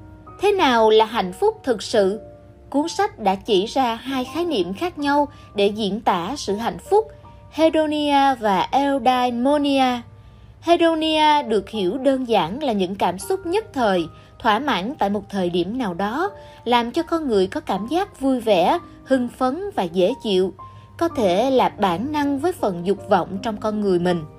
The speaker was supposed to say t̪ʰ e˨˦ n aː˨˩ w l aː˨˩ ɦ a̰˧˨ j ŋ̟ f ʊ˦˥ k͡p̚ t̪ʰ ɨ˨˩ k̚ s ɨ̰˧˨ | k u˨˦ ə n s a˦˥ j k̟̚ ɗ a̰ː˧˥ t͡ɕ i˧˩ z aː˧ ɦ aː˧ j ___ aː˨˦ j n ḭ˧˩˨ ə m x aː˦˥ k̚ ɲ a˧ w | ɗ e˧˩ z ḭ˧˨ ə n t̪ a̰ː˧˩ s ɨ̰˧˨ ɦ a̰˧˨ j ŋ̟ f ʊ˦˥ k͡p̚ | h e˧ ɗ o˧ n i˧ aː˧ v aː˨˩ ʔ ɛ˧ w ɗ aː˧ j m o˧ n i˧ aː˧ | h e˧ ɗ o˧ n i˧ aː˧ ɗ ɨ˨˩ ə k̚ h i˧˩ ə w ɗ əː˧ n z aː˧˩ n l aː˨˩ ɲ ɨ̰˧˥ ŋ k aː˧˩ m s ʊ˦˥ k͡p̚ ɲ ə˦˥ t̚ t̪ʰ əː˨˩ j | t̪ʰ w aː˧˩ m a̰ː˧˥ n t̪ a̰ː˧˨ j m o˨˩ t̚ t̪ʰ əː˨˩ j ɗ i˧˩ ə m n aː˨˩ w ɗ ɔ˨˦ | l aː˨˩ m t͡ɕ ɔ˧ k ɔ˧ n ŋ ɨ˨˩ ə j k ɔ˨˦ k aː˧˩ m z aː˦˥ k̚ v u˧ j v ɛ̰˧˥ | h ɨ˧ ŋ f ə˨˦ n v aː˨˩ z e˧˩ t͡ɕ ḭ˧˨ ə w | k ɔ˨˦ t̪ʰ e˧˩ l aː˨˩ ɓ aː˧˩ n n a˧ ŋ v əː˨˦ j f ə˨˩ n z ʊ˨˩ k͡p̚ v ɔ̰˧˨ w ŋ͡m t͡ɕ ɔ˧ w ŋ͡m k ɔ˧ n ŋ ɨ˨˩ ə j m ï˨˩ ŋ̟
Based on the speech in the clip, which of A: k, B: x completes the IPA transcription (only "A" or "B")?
B